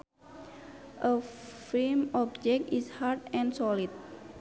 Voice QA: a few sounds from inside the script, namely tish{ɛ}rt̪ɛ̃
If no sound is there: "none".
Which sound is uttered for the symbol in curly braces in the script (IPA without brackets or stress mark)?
a